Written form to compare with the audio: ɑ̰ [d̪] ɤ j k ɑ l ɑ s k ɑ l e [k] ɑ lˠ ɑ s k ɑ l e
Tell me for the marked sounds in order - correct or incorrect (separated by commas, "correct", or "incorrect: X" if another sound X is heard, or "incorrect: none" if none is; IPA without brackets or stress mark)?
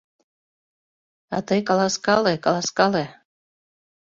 incorrect: t̪, correct